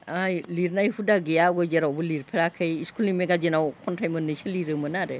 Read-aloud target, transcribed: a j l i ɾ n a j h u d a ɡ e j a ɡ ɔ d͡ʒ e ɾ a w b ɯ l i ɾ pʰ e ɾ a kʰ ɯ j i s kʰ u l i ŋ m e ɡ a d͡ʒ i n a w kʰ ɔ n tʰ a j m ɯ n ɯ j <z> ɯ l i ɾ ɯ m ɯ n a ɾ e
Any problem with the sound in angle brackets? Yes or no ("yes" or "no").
yes